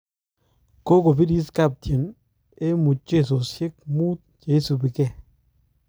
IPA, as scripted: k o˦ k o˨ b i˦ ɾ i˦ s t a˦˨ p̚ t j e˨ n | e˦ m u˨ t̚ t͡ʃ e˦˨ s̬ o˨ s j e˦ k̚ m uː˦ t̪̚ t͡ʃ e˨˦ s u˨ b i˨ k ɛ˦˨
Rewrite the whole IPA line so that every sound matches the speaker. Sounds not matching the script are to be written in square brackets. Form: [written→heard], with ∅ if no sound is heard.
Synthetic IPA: k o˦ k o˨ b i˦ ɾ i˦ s [t→k] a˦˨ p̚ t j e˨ n | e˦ m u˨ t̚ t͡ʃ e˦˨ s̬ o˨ s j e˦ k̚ m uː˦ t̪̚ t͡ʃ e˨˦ s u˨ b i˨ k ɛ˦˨